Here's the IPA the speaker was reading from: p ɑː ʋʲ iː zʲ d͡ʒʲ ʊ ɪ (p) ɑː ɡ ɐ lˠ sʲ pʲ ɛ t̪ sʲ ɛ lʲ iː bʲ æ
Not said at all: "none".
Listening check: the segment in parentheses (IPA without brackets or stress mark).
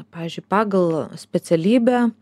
p